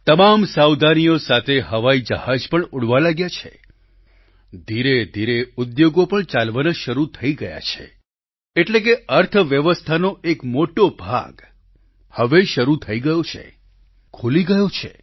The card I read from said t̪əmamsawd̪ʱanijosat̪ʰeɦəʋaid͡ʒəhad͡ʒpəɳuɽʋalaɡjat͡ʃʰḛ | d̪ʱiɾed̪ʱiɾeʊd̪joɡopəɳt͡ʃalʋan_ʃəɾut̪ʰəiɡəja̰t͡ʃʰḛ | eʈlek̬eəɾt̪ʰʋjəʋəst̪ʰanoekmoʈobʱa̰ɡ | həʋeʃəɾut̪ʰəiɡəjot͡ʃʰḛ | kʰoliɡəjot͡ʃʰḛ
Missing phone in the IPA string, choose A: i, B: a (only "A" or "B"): B